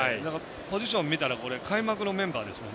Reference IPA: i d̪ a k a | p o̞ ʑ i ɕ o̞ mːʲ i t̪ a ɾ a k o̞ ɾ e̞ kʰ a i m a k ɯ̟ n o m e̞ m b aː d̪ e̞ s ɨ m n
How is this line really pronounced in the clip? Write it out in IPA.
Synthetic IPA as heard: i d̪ a k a | p o̞ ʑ i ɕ õ̞ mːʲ i t̪ a ɾ a k o̞ ɾ e̞ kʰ a i m a k ɯ̟ n o m ẽ̞ m b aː d̪ e̞ s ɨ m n